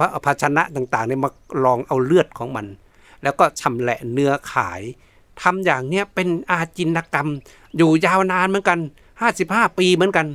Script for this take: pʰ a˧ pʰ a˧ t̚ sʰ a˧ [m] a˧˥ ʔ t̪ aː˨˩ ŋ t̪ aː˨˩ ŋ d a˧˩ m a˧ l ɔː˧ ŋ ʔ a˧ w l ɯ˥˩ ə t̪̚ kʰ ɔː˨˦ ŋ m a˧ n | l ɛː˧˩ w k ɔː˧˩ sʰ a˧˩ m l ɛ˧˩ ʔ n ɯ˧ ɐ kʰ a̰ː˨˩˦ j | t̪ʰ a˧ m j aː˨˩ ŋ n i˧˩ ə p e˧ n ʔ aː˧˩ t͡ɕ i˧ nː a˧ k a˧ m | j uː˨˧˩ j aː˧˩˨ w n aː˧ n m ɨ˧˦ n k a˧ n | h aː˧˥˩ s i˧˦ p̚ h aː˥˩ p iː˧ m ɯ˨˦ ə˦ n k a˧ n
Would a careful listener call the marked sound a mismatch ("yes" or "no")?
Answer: yes